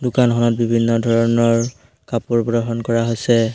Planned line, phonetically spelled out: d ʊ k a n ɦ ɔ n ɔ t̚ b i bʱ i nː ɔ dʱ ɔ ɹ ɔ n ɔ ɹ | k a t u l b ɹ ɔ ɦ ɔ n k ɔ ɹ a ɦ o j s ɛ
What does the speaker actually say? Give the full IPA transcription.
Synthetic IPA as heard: d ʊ k a n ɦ ɔ n ɔ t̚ b i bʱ i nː ɔ dʱ ɔ ɹ ɔ n ɔ ɹ | k a p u ɹ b ɹ ɔ ɦ ɔ n k ɔ ɹ a ɦ o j s ɛ